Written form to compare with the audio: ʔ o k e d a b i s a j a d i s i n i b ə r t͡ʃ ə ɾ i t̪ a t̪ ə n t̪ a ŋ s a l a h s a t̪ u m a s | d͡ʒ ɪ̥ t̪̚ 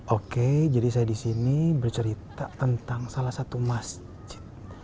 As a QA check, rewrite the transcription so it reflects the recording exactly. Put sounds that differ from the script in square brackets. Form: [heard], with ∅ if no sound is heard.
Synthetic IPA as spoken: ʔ o k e [d͡ʒ] a [d] i s a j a d i s i n i b ə r t͡ʃ ə ɾ i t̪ a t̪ ə n t̪ a ŋ s a l a h s a t̪ u m a s | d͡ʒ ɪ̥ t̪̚